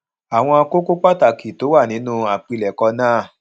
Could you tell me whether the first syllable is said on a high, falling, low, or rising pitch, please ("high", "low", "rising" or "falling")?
low